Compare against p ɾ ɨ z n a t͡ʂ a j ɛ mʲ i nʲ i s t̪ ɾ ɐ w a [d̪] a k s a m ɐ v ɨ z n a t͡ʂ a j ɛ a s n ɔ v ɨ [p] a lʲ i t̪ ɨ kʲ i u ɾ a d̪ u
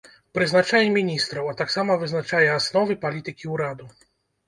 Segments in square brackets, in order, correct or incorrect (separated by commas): incorrect, correct